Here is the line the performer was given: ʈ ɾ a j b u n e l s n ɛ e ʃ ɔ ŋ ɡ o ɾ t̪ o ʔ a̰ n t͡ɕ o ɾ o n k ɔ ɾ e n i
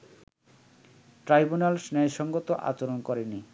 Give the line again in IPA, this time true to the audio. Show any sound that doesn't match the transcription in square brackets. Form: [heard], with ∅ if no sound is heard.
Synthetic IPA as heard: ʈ ɾ a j b u n [a] l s n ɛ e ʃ ɔ ŋ ɡ o [∅] t̪ o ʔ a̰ [∅] t͡ɕ o ɾ o n k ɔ ɾ e n i